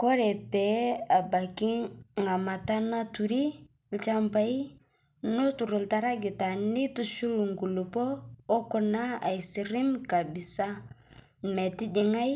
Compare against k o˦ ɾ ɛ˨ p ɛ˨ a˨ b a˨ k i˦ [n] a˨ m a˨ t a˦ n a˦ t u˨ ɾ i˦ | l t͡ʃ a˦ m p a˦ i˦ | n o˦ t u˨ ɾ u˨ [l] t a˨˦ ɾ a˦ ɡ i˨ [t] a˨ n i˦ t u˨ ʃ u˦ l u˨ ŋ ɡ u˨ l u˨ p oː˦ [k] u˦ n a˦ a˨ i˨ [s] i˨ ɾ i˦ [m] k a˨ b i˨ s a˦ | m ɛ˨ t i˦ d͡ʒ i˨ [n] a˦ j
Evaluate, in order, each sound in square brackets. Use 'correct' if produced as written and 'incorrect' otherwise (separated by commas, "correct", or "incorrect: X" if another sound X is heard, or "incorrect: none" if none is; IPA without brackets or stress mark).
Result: incorrect: ŋ, correct, correct, correct, correct, correct, incorrect: ŋ